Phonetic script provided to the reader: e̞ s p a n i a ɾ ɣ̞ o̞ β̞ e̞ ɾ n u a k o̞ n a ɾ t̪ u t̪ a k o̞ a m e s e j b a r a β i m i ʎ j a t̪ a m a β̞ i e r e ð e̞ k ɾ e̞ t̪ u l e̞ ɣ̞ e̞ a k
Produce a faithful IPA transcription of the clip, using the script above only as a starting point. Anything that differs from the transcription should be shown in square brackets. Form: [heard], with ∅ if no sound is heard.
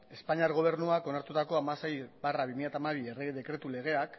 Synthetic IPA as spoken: e̞ s p a [ɲ] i a ɾ ɣ̞ o̞ β̞ e̞ ɾ n u a k o̞ n a ɾ t̪ u t̪ a k o̞ a m [a] s e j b a r a β i m i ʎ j a t̪ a m a β̞ i e r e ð e̞ k ɾ e̞ t̪ u l e̞ ɣ̞ e̞ a k